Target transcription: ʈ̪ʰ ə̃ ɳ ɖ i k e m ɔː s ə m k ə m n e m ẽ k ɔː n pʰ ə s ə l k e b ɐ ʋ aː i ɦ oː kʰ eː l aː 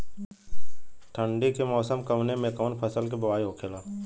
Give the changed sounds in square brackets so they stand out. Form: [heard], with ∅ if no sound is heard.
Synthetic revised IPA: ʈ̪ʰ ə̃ ɳ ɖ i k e m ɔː s ə m k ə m n e m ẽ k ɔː n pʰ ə s ə l k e b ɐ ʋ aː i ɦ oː kʰ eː l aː